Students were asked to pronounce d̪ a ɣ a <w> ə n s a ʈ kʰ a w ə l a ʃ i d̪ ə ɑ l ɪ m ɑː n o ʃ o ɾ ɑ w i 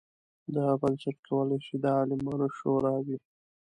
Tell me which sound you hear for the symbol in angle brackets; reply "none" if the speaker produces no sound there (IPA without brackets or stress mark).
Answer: b